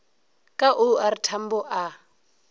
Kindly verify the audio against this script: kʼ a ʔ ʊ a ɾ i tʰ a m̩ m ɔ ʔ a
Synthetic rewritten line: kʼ a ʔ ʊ a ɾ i tʰ a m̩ b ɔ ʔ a